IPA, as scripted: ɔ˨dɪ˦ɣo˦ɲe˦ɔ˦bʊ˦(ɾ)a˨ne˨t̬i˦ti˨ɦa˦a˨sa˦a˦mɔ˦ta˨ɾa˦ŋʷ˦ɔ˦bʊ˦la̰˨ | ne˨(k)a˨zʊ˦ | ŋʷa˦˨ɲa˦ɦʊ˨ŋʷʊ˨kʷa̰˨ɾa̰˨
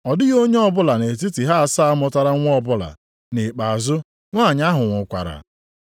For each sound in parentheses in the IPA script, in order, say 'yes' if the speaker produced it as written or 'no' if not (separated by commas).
no, no